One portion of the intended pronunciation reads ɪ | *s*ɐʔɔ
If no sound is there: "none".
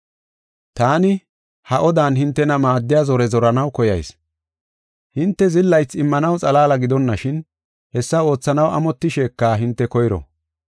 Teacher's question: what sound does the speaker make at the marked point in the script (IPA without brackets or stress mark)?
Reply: h